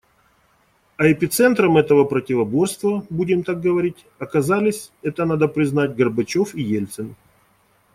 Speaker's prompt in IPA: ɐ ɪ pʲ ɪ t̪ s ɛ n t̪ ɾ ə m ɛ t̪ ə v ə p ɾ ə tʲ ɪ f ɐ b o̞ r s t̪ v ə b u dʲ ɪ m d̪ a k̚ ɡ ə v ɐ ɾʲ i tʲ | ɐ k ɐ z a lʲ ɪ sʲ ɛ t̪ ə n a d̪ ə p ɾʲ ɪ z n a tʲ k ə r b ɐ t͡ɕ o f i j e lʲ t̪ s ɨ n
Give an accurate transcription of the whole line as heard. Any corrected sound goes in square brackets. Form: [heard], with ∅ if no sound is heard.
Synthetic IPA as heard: ɐ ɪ pʲ ɪ t̪ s ɛ n t̪ ɾ ə m ɛ t̪ ə v ə p ɾ ə tʲ ɪ [v] ɐ b o̞ r s t̪ v ə b u dʲ ɪ m [t̪] a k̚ ɡ ə v ɐ ɾʲ i tʲ | ɐ k ɐ z a lʲ ɪ sʲ ɛ t̪ ə n a d̪ ə p ɾʲ ɪ z n a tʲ [ɡ] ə r b ɐ t͡ɕ o f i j e lʲ t̪ s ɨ n